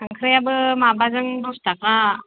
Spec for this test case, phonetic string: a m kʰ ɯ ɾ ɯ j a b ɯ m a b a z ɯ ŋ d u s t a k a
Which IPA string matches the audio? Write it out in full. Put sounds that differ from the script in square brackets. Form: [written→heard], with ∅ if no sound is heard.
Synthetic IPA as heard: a [m→ŋ] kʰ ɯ ɾ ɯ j a b ɯ m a b a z ɯ ŋ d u s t a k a

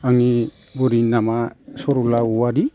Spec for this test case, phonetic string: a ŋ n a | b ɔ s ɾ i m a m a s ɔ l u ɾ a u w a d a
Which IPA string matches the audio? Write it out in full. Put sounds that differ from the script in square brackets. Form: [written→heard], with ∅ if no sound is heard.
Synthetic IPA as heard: a ŋ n [a→i] | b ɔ [s→∅] ɾ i [m→n] a m a s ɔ [l→ɾ] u [ɾ→l] a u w a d [a→i]

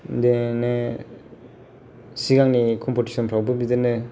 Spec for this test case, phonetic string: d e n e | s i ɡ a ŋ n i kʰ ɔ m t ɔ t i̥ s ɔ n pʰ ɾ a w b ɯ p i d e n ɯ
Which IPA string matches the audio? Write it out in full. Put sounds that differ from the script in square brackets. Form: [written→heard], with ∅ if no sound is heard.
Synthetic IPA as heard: d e n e | s i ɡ a ŋ n i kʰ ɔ m [t→p] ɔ t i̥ s ɔ n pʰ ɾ a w b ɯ [p→b] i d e n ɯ

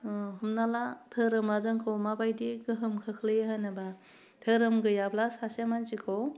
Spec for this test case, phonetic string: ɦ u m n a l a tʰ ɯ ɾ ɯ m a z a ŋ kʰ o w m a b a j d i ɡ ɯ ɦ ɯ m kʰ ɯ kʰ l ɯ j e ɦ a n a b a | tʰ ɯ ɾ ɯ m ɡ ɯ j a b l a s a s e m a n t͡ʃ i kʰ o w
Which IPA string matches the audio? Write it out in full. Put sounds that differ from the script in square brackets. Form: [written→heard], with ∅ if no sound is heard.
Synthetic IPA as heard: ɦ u m n a l a tʰ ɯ ɾ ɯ m a z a ŋ kʰ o w m a b a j d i ɡ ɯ ɦ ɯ m kʰ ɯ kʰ l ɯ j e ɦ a n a b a | tʰ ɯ ɾ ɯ m ɡ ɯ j a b l a s a s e m a n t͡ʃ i kʰ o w

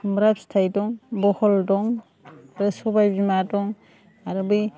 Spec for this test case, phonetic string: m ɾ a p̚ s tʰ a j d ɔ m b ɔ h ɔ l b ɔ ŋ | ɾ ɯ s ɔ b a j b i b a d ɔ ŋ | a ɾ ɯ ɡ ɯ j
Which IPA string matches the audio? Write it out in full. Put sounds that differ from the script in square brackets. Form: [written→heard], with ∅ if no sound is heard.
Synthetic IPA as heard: m ɾ a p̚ s tʰ a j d ɔ [m→ŋ] b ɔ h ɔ l [b→d] ɔ ŋ | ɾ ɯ s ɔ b a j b i [b→m] a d ɔ ŋ | a ɾ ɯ [ɡ→b] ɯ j

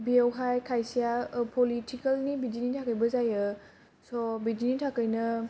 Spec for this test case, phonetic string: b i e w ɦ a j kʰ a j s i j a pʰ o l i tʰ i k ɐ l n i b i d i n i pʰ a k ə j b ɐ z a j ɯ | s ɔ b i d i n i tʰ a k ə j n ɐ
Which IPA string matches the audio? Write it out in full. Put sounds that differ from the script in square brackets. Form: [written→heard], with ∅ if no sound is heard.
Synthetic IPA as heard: b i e w ɦ a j kʰ a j s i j a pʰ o l i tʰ i k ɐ l n i b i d i n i [pʰ→tʰ] a k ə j b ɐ z a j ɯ | s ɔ b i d i n i tʰ a k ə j n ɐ

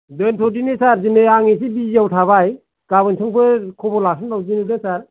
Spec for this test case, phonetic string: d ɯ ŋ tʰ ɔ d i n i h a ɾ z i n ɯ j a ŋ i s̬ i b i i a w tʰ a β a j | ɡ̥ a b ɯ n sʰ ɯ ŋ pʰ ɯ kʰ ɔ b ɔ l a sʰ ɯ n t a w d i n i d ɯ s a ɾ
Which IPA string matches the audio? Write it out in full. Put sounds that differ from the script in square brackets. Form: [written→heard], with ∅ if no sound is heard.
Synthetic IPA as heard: d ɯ [ŋ→n] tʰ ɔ d i n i [h→s] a ɾ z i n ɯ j a ŋ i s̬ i b i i a w tʰ a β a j | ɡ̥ a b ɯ n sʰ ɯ ŋ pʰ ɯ kʰ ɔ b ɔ l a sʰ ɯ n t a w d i n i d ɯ s a ɾ

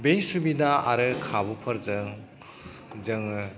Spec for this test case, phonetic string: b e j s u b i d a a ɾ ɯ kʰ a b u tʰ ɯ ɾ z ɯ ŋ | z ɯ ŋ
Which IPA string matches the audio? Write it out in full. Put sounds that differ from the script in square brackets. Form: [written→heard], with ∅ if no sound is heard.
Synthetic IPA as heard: b e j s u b i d a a ɾ ɯ kʰ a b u [tʰ→pʰ] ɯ ɾ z ɯ ŋ | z ɯ ŋ

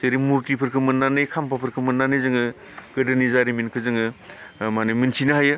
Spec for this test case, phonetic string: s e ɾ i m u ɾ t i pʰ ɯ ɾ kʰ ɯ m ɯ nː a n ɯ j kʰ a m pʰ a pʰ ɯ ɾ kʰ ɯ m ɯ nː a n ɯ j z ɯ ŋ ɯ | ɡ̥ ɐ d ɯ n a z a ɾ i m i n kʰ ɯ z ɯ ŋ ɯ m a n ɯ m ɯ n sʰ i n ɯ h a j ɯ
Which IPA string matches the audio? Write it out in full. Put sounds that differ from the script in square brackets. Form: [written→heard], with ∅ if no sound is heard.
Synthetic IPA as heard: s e ɾ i m u ɾ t i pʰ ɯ ɾ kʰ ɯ m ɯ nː a n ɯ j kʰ a m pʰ a pʰ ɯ ɾ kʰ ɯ m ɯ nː a n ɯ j z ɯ ŋ ɯ | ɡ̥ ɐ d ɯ n [a→i] z a ɾ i m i n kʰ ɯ z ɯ ŋ ɯ m a n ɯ m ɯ n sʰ i n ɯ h a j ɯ

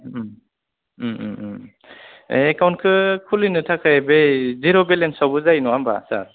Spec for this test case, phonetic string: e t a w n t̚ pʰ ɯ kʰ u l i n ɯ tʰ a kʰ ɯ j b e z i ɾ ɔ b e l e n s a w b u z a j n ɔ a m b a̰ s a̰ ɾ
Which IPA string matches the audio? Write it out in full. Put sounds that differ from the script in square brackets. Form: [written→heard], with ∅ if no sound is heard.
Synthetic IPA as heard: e [t→k] a w n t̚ [pʰ→kʰ] ɯ kʰ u l i n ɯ tʰ a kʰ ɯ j b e z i ɾ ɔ b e l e n s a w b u z a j n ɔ a m b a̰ s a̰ ɾ

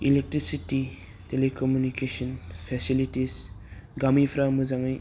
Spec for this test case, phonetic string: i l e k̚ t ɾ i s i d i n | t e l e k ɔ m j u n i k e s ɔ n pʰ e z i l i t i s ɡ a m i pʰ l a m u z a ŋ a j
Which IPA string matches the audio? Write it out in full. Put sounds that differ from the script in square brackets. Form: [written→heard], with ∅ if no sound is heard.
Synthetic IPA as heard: i l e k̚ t ɾ i s i [d→t] i [n→∅] | t e l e k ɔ m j u n i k e s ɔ n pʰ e [z→s] i l i t i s ɡ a m i pʰ [l→ɾ] a m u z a ŋ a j

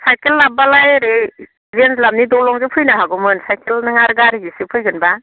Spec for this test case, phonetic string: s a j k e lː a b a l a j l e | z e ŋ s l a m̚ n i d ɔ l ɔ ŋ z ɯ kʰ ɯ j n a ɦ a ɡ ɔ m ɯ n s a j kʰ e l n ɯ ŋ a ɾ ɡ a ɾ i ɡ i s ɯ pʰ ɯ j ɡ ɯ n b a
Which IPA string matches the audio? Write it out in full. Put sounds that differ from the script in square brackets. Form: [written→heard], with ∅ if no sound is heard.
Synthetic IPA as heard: s a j k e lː a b a l a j [l→ɾ] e | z e [ŋ→n] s l a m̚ n i d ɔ l ɔ ŋ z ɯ [kʰ→pʰ] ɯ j n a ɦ a ɡ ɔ m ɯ n s a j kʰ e l n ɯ ŋ a ɾ ɡ a ɾ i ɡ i s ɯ pʰ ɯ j ɡ ɯ n b a

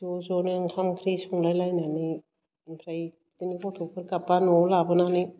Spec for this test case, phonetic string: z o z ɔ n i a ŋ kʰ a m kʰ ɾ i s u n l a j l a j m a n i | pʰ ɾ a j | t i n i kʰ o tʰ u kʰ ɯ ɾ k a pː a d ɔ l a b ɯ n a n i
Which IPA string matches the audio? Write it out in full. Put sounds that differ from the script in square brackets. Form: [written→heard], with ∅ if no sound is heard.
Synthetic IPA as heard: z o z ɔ n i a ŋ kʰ a m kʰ ɾ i s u [n→ŋ] l a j l a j [m→n] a n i | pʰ ɾ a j | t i n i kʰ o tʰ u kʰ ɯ ɾ k a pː a [d→n] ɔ l a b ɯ n a n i

